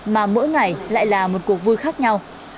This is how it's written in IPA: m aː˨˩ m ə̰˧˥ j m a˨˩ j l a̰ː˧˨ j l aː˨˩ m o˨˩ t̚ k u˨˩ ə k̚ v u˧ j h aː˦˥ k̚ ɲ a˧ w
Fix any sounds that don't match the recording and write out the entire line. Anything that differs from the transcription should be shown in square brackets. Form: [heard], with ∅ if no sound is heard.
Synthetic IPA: m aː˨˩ m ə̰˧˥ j [ŋ] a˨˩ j l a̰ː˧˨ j l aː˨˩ m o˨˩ t̚ k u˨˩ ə k̚ v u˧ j [x] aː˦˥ k̚ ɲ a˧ w